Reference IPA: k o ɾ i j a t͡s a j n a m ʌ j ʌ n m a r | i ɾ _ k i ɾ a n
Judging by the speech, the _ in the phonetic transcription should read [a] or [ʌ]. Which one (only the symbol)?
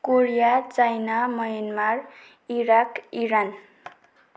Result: a